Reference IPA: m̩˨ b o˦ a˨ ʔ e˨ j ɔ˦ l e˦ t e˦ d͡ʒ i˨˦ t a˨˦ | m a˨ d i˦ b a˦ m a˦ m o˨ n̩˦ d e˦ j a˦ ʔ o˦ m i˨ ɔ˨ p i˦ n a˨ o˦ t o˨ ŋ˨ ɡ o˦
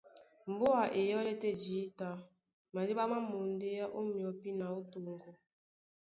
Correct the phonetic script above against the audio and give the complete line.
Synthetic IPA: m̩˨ b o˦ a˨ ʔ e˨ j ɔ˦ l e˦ t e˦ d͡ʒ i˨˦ t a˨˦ | m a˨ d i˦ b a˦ m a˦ m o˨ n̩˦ d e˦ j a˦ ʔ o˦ m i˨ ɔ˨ p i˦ n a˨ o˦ t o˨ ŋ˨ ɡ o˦